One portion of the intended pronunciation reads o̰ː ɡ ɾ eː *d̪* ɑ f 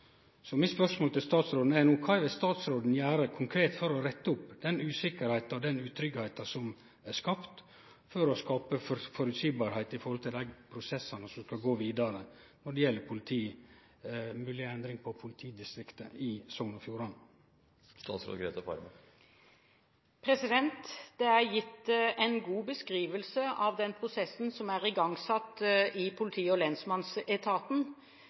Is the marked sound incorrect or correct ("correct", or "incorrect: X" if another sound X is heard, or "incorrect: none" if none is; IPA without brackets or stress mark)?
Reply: incorrect: t̪